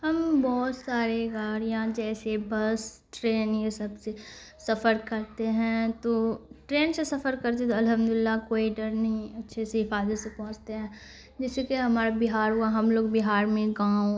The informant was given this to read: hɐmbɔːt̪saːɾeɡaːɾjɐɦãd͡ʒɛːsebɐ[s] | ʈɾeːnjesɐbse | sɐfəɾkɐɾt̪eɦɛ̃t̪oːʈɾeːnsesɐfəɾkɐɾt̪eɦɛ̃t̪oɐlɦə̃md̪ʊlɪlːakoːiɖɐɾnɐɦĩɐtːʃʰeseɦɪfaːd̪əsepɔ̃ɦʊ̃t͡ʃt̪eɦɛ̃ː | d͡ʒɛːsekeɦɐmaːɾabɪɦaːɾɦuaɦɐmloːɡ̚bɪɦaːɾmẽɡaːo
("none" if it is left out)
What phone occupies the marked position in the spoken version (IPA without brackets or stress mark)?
s